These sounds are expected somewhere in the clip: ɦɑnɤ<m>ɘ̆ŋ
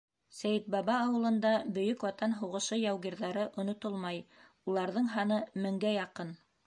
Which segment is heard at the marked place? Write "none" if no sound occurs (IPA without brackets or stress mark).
m